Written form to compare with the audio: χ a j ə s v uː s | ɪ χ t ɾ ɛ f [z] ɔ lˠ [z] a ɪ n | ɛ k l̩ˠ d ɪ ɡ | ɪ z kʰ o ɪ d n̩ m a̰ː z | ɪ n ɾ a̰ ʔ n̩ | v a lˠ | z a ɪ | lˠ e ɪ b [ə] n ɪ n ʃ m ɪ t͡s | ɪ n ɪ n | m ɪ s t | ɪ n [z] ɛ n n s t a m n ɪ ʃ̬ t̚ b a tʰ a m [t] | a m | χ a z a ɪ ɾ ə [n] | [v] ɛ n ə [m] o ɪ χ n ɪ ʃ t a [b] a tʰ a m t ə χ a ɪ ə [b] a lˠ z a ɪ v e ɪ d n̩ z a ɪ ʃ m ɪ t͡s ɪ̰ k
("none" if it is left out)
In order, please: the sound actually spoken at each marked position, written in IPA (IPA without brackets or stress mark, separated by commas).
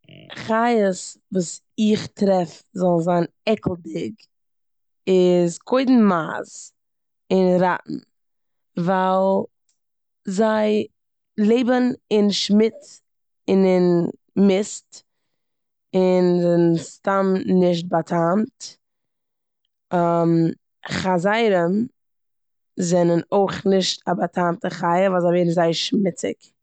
z, z, ə, z, t, m, z, n, b, v